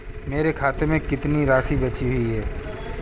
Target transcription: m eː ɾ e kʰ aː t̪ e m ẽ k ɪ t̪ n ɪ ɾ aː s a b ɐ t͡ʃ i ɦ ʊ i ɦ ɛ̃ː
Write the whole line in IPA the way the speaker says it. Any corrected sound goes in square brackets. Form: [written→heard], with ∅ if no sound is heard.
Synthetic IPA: m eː ɾ e kʰ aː t̪ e m ẽ k ɪ t̪ n [ɪ→i] ɾ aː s [a→i] b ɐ t͡ʃ i ɦ ʊ i ɦ [ɛ̃ː→ɛː]